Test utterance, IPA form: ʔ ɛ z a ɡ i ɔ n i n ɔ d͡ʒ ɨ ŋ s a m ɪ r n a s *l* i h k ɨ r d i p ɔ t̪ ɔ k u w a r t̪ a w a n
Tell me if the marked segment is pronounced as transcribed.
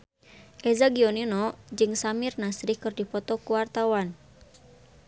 no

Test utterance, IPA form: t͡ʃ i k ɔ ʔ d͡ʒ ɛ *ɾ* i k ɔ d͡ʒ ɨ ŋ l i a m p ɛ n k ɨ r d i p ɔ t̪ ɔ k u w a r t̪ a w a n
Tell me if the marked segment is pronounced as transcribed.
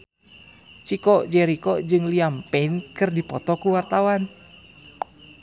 yes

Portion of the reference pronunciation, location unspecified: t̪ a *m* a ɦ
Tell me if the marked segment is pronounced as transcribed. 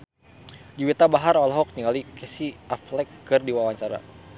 no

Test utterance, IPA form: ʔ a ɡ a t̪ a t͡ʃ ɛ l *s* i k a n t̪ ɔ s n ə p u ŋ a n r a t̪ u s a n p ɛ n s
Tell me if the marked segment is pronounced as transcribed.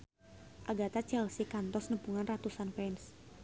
yes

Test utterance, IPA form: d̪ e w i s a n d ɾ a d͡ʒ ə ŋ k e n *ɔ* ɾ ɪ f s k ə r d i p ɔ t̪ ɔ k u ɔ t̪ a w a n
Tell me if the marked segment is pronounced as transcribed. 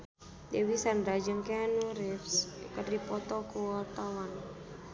no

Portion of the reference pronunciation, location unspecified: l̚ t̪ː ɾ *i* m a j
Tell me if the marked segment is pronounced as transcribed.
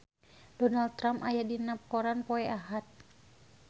no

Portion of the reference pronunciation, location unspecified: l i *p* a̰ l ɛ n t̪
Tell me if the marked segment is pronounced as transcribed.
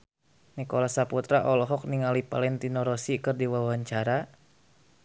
yes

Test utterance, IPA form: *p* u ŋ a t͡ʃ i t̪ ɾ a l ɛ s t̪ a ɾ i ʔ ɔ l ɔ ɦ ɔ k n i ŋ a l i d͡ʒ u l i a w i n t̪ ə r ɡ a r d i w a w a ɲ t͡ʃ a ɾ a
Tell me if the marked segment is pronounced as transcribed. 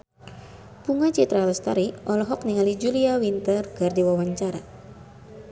yes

